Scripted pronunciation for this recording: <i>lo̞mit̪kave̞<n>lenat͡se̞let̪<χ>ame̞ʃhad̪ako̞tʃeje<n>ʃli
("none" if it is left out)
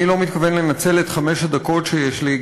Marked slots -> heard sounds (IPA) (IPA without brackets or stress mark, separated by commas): i, n, χ, none